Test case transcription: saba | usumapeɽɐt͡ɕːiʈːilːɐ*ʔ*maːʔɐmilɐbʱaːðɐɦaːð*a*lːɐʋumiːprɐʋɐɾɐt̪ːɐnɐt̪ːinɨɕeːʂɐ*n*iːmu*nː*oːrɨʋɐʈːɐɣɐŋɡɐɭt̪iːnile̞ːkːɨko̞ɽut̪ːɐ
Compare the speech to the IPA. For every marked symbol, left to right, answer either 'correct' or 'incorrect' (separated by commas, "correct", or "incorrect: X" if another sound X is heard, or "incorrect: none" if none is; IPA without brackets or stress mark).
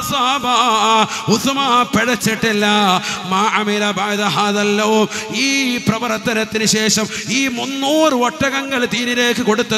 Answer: incorrect: none, incorrect: ɐ, incorrect: m, correct